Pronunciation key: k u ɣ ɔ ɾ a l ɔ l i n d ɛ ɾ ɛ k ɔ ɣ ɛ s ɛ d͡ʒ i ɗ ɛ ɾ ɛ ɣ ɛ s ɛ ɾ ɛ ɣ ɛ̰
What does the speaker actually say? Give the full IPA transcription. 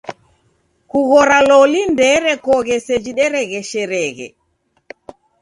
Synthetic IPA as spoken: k u ɣ ɔ ɾ a l ɔ l i n d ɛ ɾ ɛ k ɔ ɣ ɛ s ɛ d͡ʒ i ɗ ɛ ɾ ɛ ɣ ɛ ʃ ɛ ɾ ɛ ɣ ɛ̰